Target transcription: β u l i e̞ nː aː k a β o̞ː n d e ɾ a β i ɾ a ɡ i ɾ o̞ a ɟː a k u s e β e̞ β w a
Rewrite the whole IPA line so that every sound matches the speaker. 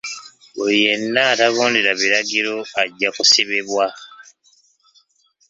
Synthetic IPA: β u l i e̞ nː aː t a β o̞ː n d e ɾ a β i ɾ a ɡ i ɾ o̞ a ɟː a k u s e β e̞ β w a